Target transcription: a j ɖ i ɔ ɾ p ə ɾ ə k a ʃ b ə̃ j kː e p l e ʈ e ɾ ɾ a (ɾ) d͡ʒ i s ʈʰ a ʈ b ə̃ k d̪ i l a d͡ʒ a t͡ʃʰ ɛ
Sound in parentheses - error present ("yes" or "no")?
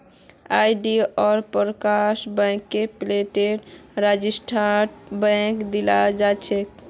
yes